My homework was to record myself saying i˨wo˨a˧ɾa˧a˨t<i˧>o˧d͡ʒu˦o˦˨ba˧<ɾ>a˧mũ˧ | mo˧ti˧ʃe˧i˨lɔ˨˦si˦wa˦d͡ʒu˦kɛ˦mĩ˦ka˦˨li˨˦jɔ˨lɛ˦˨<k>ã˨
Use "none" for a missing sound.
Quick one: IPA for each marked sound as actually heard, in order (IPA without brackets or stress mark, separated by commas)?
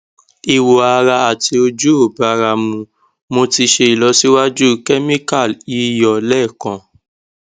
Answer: i˧, ɾ, k